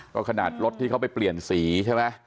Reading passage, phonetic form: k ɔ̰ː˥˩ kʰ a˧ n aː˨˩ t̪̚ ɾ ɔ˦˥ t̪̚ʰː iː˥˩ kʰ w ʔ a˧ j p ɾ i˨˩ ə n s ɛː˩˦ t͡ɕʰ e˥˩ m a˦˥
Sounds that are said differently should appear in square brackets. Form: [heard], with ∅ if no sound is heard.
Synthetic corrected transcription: k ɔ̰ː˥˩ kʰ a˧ n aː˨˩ t̪̚ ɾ [o˦˥] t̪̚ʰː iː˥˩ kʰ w [p] a˧ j p [l] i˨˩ ə n s [iː˩˦] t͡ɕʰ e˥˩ m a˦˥